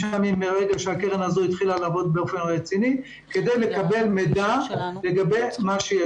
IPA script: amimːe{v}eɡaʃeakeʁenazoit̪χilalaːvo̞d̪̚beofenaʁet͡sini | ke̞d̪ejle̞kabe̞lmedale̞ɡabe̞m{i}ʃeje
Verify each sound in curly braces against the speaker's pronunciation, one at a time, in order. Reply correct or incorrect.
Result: incorrect, incorrect

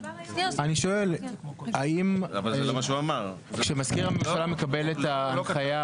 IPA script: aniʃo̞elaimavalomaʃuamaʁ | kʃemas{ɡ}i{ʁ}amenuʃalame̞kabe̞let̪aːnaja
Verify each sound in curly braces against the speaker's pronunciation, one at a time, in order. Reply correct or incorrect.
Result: incorrect, correct

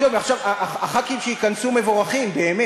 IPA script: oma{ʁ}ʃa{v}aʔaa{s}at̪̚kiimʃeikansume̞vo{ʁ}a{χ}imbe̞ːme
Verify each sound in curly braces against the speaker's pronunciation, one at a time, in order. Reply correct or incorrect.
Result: incorrect, correct, incorrect, correct, correct

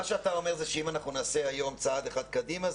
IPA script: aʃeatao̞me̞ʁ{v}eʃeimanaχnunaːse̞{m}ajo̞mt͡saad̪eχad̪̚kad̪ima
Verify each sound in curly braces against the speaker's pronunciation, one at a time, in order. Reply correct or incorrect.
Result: incorrect, incorrect

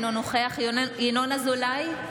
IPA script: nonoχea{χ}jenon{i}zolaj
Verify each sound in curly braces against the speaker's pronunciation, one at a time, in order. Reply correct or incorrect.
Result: correct, incorrect

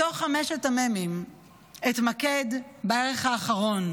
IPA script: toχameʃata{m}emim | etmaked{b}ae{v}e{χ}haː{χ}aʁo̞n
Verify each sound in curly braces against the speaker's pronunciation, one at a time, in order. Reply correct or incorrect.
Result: correct, correct, incorrect, correct, correct

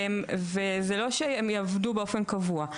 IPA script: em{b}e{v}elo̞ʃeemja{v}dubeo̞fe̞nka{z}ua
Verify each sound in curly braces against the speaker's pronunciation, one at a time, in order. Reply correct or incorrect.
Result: incorrect, incorrect, correct, incorrect

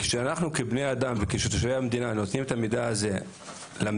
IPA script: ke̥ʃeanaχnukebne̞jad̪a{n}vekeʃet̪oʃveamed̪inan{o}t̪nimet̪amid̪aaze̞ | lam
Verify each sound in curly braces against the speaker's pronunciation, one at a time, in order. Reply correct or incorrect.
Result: incorrect, correct

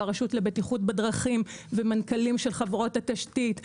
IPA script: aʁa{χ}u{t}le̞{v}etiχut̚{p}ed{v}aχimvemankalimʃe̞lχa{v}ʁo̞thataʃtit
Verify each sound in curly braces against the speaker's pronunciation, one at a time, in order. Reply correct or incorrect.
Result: incorrect, correct, incorrect, incorrect, incorrect, correct

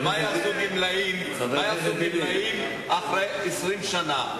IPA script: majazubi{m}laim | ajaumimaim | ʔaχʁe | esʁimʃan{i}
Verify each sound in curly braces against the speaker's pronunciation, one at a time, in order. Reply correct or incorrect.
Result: correct, incorrect

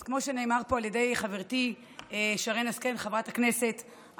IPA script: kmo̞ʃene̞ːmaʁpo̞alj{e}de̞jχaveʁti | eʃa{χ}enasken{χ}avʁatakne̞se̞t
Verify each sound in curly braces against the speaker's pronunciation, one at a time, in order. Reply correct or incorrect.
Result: correct, incorrect, correct

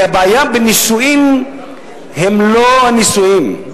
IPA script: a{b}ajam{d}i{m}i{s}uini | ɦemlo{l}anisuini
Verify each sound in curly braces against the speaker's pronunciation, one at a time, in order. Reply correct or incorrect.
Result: correct, incorrect, incorrect, correct, incorrect

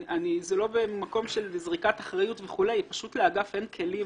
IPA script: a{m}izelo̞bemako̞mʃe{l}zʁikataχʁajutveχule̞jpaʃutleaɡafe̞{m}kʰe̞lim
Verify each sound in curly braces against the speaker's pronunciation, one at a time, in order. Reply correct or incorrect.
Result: incorrect, correct, incorrect

